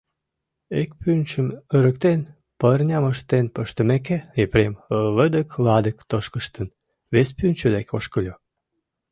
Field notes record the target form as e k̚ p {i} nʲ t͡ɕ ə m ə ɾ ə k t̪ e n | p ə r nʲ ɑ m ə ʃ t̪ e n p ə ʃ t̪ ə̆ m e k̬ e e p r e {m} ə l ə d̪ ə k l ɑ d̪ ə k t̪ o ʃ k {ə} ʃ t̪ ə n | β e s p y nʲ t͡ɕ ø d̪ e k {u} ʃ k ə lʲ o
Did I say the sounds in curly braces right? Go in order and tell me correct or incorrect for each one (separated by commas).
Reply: incorrect, correct, correct, incorrect